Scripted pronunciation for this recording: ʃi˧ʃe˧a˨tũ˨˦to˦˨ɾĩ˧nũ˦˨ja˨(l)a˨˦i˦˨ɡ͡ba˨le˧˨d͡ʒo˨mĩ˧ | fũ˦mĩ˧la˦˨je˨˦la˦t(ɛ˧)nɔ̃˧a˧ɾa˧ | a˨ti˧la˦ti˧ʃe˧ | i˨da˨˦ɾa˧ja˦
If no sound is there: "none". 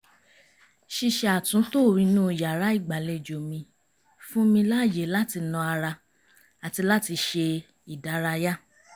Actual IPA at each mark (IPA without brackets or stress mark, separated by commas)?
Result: ɾ, i˧